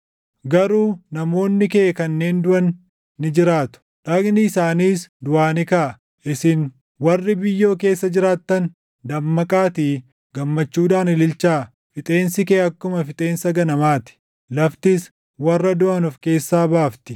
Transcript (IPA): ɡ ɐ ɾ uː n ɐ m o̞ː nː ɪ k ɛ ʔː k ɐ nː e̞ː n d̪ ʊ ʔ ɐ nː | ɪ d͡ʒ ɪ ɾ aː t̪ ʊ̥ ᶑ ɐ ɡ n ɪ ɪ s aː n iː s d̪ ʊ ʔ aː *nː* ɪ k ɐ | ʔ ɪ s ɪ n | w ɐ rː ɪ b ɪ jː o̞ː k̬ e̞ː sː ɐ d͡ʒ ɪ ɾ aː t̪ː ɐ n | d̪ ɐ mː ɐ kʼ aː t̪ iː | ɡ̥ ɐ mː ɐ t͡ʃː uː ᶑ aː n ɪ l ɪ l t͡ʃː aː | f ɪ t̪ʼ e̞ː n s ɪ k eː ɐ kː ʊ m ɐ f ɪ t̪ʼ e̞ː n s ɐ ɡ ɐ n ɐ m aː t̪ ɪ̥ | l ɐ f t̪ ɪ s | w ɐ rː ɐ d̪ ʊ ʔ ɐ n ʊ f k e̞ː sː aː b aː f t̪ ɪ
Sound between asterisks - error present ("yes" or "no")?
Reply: yes